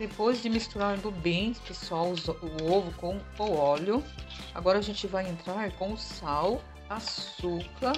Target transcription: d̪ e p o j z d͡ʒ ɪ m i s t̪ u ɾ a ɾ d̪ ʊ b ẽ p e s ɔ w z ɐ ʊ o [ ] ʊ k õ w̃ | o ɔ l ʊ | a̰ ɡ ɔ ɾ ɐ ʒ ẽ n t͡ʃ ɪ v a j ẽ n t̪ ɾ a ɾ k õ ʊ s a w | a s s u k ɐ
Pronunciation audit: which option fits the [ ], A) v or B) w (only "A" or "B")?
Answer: A